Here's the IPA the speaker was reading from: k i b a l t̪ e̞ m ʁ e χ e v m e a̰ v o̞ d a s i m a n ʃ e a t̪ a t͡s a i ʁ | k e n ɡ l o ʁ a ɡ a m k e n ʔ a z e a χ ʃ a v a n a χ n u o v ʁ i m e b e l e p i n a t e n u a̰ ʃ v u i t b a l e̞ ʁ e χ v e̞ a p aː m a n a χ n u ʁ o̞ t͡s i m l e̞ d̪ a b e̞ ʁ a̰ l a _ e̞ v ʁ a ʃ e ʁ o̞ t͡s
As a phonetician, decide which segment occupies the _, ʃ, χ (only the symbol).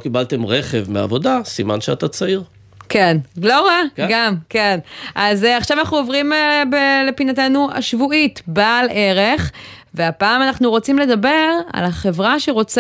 χ